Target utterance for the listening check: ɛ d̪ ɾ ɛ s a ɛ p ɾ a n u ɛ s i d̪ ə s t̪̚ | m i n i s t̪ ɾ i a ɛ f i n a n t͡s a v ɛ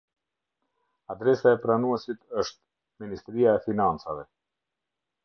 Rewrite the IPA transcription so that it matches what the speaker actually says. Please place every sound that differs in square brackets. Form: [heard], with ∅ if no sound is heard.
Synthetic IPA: [a] d̪ ɾ ɛ s a ɛ p ɾ a n u ɛ s i [t̪] ə [ʃ] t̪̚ | m i n i s t̪ ɾ i a ɛ f i n a n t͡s a v ɛ